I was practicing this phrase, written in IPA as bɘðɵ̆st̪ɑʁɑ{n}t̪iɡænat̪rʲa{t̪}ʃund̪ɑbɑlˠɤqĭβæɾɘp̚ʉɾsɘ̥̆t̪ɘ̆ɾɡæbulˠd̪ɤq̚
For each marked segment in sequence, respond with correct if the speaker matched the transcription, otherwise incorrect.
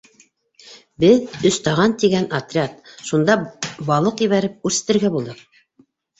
correct, correct

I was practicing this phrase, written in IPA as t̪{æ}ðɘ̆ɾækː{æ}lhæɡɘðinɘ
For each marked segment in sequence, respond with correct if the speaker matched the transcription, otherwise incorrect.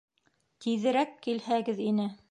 incorrect, incorrect

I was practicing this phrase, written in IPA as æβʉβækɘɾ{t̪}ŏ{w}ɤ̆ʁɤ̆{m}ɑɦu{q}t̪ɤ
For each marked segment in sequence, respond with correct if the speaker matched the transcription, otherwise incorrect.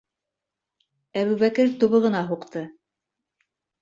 correct, incorrect, incorrect, correct

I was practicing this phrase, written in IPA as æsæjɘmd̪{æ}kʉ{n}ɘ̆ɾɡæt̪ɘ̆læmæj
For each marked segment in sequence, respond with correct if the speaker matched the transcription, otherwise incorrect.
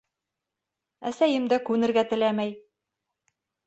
correct, correct

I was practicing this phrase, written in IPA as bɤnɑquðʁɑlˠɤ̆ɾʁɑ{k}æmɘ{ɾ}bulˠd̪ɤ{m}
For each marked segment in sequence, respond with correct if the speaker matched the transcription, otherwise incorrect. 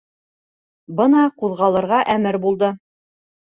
incorrect, correct, incorrect

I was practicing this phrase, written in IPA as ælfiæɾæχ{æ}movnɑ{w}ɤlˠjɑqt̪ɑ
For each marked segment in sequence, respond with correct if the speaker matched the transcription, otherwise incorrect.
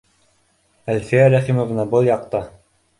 incorrect, incorrect

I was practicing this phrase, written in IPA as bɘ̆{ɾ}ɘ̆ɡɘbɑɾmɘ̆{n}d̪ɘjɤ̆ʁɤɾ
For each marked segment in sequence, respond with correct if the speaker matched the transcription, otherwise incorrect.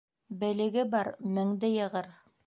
incorrect, incorrect

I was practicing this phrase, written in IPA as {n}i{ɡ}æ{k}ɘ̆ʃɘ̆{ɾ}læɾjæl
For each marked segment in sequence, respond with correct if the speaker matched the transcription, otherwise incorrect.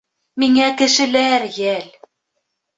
incorrect, incorrect, correct, incorrect

